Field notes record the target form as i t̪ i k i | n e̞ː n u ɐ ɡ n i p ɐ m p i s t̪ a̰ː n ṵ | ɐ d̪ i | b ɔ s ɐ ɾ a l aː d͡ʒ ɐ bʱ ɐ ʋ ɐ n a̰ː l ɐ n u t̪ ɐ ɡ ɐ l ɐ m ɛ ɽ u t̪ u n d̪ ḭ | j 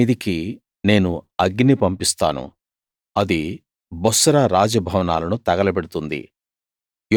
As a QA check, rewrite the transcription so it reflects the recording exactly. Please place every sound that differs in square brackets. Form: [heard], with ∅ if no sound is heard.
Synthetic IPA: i [d̪] i k i | n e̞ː n u ɐ ɡ n i p ɐ m p i s t̪ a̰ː n ṵ | ɐ d̪ i | b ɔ s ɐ ɾ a [ɾ] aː d͡ʒ ɐ bʱ ɐ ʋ ɐ n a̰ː l ɐ n u t̪ ɐ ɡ ɐ l ɐ [b] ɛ ɽ u t̪ u n d̪ ḭ | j